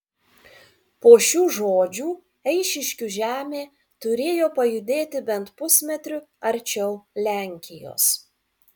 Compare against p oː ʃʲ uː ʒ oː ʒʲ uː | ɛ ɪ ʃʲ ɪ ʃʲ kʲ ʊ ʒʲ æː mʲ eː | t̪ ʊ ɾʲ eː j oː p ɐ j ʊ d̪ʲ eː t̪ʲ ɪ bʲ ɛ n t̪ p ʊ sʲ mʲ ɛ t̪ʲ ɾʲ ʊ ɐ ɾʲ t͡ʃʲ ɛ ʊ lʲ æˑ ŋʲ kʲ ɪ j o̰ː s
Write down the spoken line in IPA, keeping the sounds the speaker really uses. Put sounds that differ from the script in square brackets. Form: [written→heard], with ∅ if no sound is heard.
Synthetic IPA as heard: p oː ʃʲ uː ʒ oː [ʒʲ→d͡ʒʲ] uː | ɛ ɪ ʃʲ ɪ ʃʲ kʲ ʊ ʒʲ æː mʲ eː | t̪ ʊ ɾʲ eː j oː p ɐ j ʊ d̪ʲ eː t̪ʲ ɪ bʲ ɛ n t̪ p ʊ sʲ mʲ ɛ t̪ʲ ɾʲ ʊ ɐ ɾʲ t͡ʃʲ ɛ ʊ lʲ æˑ ŋʲ kʲ ɪ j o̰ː s